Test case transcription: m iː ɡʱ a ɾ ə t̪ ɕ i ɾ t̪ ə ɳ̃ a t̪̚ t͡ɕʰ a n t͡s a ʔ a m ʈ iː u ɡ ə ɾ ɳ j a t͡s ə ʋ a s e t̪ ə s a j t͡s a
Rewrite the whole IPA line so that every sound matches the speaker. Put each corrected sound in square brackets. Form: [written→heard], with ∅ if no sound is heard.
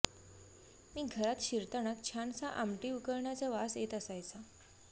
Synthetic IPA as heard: m iː ɡʱ [a→ə] ɾ [ə→a] t̪ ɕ i ɾ t̪ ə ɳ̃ a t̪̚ t͡ɕʰ a n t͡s a ʔ a m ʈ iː u [ɡ→k] ə ɾ ɳ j a t͡s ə ʋ a s e t̪ ə s a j t͡s a